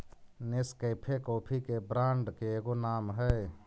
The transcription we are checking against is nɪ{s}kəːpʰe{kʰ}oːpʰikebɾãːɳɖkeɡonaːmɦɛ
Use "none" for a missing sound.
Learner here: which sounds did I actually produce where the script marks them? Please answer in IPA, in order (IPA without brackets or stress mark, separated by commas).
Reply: s, k